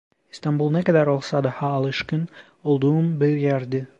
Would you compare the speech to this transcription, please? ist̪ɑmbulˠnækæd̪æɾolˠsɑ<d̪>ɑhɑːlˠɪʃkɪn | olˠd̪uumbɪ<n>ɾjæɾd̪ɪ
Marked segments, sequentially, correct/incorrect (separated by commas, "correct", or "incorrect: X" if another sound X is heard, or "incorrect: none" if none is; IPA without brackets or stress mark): correct, incorrect: none